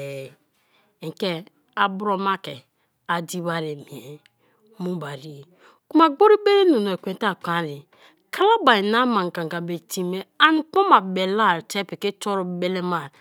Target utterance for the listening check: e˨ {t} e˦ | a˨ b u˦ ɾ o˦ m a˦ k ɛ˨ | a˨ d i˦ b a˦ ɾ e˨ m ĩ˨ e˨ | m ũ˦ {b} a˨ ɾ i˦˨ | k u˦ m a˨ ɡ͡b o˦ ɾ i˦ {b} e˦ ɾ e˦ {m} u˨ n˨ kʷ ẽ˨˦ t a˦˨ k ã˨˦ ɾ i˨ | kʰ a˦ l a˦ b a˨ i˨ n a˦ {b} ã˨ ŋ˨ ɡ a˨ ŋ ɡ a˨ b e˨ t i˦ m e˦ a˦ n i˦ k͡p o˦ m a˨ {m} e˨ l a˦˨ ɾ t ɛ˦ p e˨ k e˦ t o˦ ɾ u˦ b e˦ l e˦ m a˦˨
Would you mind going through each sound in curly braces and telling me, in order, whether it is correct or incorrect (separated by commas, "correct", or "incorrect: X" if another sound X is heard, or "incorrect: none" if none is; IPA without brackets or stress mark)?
incorrect: k, correct, correct, incorrect: n, incorrect: m, incorrect: b